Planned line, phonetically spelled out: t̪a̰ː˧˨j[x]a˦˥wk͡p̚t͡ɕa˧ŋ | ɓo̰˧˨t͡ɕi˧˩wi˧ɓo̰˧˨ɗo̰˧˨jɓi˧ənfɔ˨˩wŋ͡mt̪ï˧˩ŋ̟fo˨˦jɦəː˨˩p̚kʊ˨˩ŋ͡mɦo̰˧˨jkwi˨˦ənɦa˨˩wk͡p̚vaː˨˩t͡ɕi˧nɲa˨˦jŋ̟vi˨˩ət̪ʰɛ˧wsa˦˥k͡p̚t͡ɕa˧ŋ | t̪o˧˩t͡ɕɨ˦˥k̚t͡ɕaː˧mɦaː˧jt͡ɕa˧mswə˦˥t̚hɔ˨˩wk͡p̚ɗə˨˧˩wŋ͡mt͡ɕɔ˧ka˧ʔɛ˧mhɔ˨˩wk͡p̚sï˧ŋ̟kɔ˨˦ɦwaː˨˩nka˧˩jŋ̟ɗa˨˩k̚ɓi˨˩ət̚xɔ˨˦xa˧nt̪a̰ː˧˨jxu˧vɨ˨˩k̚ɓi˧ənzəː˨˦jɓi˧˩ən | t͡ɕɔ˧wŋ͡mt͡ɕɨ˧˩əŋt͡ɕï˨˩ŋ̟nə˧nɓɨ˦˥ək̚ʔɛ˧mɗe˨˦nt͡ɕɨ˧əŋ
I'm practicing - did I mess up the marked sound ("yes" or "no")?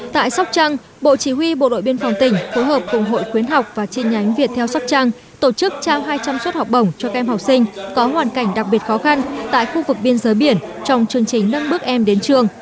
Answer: yes